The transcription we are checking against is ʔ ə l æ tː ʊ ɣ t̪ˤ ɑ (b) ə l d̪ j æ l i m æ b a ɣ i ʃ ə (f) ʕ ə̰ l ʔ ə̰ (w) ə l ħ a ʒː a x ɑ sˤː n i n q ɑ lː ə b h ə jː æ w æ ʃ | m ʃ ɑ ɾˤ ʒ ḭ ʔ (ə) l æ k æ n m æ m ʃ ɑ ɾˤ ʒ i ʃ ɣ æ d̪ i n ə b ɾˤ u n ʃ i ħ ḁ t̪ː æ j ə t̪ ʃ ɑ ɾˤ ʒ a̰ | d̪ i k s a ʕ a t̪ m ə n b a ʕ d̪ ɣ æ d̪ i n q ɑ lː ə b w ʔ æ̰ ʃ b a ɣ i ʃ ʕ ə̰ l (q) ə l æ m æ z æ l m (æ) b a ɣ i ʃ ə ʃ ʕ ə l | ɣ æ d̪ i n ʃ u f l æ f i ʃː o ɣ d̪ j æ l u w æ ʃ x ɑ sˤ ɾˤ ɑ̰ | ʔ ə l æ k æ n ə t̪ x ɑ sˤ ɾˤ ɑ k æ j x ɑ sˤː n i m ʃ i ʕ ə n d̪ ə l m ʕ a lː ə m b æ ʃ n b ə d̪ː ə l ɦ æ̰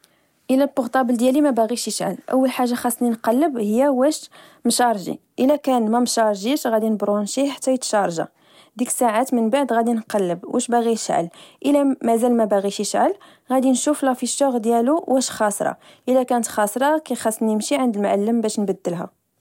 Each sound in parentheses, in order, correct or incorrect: correct, incorrect, incorrect, correct, incorrect, correct

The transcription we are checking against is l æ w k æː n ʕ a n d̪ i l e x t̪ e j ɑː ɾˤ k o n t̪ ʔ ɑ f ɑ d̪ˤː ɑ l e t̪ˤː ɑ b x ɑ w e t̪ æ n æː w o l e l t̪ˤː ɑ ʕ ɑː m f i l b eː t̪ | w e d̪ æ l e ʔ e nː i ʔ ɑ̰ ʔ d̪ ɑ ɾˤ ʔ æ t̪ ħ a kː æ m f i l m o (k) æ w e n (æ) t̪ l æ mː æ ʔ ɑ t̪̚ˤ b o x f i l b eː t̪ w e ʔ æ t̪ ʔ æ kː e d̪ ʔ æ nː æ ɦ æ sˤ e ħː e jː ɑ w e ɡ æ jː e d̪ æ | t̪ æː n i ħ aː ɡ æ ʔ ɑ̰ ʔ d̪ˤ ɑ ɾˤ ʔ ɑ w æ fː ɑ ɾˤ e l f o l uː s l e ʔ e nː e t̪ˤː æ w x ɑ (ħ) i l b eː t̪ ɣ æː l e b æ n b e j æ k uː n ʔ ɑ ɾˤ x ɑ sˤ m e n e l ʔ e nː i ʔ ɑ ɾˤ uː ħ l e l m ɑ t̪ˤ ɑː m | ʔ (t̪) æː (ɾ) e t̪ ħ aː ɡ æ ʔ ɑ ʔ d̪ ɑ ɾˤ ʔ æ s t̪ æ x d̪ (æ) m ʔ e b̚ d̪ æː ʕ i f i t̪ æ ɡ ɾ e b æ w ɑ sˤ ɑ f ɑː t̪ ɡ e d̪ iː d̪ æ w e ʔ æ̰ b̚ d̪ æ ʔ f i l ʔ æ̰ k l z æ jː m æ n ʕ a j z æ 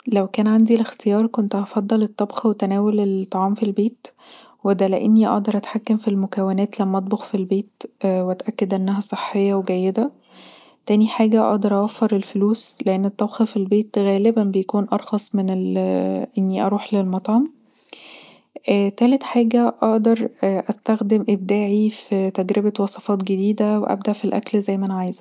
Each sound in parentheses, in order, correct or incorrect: correct, incorrect, incorrect, correct, incorrect, incorrect

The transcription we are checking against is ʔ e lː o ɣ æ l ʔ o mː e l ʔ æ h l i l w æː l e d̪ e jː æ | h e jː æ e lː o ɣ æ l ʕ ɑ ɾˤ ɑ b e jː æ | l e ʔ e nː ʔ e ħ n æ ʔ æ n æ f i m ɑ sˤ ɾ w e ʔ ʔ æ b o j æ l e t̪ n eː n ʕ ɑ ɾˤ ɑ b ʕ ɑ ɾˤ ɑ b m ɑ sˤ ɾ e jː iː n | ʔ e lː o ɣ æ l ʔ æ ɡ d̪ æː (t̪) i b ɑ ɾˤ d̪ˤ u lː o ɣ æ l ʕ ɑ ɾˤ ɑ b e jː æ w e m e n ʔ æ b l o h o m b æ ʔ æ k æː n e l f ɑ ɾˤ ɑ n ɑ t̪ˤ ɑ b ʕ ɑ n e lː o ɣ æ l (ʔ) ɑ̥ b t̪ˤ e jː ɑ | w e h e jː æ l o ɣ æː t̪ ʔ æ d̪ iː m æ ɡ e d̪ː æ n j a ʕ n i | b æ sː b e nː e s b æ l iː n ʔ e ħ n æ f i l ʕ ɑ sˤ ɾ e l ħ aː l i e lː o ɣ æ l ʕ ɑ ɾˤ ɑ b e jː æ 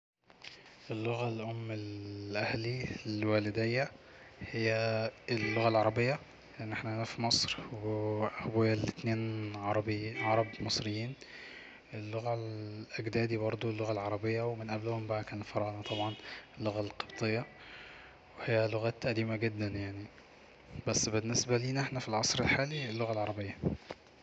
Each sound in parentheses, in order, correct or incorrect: incorrect, incorrect

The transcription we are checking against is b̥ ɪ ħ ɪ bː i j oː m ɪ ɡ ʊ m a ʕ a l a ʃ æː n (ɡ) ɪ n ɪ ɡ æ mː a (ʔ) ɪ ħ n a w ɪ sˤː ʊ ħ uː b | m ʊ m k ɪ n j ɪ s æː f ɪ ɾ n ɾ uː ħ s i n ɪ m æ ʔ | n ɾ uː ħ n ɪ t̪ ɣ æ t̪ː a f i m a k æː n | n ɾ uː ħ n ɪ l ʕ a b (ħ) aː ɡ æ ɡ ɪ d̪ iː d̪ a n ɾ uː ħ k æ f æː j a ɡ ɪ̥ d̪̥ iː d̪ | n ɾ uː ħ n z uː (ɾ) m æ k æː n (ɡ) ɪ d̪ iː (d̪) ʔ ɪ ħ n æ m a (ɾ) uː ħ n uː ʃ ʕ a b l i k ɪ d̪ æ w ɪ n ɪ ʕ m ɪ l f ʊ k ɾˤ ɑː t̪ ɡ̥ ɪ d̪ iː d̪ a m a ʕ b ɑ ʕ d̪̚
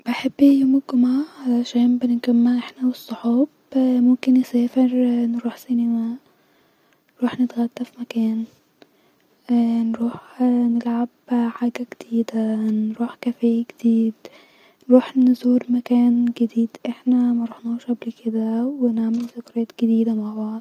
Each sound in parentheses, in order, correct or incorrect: incorrect, correct, correct, correct, correct, correct, correct

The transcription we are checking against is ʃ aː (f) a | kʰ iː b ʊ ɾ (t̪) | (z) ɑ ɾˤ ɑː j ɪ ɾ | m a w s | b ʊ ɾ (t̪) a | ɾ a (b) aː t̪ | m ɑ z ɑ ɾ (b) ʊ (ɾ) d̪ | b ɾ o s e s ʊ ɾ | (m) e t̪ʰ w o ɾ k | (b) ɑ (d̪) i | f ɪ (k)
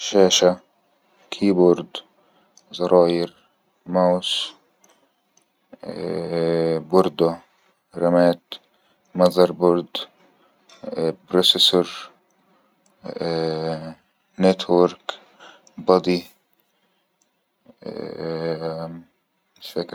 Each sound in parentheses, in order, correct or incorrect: incorrect, incorrect, correct, incorrect, incorrect, correct, correct, incorrect, correct, correct, correct

